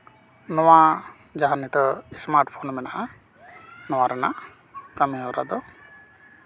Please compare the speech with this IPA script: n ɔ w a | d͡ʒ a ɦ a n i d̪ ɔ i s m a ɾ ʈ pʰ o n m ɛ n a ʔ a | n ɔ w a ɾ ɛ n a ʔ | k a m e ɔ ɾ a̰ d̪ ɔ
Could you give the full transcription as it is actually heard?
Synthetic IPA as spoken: n ɔ w a | d͡ʒ a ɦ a n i t̪ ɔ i s m a ɾ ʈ pʰ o n m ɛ n a ʔ a | n ɔ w a ɾ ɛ n a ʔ | k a m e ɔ ɾ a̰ d̪ ɔ